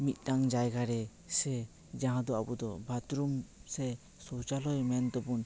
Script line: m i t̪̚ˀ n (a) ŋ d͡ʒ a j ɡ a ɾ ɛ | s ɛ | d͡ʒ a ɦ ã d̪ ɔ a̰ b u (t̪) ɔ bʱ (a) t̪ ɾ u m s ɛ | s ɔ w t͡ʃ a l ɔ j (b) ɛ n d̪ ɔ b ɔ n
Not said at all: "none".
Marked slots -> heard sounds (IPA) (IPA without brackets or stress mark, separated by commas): a, d̪, a, m